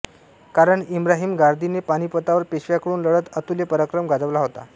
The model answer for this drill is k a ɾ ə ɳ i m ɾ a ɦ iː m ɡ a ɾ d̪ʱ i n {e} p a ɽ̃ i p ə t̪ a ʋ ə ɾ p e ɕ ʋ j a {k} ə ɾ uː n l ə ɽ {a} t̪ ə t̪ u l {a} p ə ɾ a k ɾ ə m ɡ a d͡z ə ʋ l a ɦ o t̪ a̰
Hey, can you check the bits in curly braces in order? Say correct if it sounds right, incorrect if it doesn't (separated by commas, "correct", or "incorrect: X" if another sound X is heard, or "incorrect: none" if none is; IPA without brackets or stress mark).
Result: correct, correct, incorrect: ə, incorrect: e